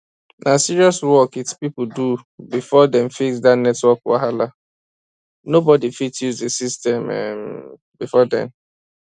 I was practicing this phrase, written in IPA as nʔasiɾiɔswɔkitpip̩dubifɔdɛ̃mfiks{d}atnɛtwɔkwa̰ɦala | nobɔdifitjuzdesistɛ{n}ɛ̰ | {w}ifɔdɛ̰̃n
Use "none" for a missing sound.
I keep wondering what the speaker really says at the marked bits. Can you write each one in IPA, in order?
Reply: d, m, b

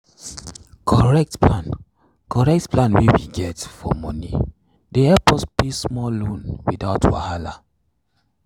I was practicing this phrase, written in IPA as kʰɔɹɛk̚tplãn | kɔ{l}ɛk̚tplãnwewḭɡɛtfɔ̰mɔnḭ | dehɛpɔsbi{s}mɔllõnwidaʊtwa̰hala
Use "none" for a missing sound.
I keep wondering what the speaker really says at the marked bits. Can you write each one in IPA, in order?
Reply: ɹ, s

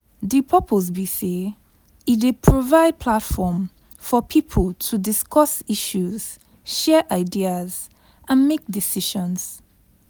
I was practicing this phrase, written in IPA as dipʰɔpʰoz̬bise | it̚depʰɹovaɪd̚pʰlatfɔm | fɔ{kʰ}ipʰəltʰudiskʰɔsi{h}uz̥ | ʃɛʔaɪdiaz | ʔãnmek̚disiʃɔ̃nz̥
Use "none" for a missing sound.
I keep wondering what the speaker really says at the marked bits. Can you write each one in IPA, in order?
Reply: pʰ, ʃ

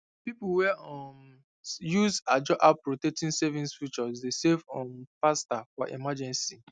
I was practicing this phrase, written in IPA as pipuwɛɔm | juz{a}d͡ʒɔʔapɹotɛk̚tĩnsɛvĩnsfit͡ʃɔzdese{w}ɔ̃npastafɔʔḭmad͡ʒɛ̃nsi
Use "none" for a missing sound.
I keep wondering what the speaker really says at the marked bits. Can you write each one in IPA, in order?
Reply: a, v

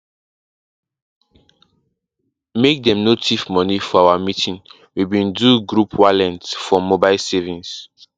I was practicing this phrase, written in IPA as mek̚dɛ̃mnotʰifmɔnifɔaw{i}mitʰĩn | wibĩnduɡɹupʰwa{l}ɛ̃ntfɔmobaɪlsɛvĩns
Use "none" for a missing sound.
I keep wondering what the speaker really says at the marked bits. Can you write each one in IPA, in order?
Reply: a, l

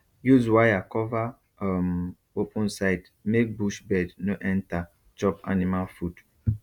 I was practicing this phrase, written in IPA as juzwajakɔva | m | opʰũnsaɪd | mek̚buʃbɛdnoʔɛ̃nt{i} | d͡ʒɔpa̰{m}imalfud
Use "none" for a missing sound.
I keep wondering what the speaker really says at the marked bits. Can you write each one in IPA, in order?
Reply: a, n

